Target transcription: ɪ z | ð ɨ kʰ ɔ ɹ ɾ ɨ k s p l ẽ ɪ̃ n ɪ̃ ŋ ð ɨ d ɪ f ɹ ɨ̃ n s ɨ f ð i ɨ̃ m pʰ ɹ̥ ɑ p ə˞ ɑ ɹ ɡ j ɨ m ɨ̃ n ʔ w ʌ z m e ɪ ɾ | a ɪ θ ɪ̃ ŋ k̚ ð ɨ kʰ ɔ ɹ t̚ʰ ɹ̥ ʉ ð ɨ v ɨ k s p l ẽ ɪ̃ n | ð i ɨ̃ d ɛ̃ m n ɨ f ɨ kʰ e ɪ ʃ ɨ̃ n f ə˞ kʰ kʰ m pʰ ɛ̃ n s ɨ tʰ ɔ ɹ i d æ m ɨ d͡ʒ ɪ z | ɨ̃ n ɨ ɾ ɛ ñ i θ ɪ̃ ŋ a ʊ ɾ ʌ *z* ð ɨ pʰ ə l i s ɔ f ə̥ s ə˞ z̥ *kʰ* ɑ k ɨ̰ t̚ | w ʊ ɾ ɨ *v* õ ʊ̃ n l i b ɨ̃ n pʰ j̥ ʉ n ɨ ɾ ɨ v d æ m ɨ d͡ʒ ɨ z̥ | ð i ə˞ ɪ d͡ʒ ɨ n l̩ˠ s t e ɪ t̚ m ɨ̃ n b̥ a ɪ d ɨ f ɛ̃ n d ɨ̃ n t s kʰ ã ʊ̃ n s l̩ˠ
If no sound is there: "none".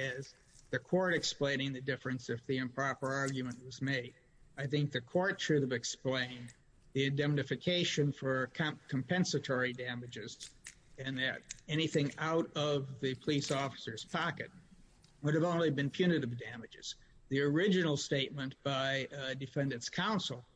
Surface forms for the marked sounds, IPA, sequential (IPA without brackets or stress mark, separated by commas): v, pʰ, v